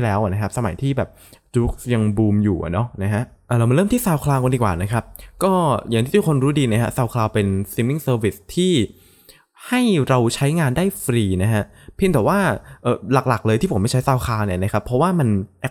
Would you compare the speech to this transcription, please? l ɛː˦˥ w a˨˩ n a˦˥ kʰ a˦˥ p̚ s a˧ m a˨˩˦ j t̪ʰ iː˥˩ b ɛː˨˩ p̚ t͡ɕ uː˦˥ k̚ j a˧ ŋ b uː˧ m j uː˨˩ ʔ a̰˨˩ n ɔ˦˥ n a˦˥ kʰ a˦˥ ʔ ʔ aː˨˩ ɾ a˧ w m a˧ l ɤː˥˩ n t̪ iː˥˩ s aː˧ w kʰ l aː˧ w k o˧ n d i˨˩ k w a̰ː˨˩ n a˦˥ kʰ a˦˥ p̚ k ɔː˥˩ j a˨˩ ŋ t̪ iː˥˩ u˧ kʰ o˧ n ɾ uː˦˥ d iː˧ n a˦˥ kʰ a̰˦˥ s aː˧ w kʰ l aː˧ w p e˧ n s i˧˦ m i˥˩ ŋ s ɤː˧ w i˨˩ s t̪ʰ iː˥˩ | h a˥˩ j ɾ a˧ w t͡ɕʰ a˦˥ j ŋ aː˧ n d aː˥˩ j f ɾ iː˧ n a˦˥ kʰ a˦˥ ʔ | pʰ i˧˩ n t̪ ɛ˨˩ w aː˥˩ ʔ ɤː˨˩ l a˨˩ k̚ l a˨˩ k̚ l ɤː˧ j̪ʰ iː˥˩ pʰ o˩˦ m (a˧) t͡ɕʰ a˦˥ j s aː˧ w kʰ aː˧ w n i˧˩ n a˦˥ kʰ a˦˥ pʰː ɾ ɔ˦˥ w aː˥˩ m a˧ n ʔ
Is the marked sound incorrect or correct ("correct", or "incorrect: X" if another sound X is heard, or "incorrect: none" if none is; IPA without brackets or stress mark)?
incorrect: a˥˩